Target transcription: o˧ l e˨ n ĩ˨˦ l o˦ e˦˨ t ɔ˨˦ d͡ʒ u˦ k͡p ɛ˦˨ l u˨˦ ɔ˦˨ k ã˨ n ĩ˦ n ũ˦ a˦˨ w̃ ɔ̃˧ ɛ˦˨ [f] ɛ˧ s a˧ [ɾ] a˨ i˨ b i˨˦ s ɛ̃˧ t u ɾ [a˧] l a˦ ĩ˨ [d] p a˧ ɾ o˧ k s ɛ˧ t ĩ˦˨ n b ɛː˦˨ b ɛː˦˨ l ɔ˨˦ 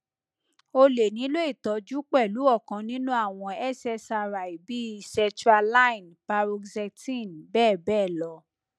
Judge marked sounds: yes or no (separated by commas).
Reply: no, yes, yes, no